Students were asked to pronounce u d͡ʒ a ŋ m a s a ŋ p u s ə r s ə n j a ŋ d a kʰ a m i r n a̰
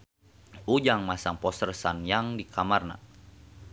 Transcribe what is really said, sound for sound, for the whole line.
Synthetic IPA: u d͡ʒ a ŋ m a s a ŋ p ɔ s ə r s a n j a ŋ d i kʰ a m a r n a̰